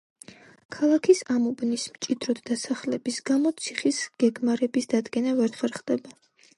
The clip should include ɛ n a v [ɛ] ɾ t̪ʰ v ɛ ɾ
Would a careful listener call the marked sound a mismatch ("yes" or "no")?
no